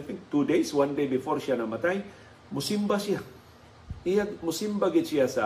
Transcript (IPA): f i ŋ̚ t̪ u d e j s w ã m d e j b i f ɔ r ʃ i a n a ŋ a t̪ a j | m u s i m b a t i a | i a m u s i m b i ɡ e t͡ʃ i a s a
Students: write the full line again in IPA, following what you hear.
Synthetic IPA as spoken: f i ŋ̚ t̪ u d e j s w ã n d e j b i f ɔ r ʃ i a n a m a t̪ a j | m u s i m b a s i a | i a m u s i m b a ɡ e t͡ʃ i a s a